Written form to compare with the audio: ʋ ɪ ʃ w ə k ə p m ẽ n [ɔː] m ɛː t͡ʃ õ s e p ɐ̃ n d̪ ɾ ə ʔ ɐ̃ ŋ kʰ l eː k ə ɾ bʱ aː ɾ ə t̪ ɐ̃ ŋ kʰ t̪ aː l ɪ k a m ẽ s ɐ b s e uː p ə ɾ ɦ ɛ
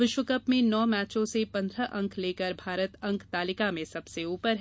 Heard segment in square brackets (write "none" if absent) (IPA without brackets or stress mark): ɔː